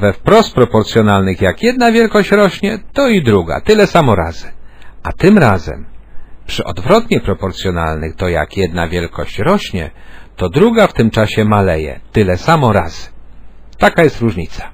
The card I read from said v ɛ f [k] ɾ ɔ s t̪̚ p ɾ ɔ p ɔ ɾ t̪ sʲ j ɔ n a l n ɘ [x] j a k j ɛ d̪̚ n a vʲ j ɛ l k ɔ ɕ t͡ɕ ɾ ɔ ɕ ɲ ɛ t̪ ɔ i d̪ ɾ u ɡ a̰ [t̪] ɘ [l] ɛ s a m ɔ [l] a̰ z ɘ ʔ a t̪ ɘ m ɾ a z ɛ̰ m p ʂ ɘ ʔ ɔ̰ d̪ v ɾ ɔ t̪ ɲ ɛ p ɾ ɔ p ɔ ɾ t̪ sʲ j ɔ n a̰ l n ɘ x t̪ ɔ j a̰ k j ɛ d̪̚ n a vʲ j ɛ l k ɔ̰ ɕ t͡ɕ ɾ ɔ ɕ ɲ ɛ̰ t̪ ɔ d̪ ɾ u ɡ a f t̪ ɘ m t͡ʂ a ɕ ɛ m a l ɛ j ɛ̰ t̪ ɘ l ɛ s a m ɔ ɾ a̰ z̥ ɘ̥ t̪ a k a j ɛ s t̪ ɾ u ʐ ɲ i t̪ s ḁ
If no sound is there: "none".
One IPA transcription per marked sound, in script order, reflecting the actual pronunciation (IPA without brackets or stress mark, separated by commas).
p, x, t̪, l, ɾ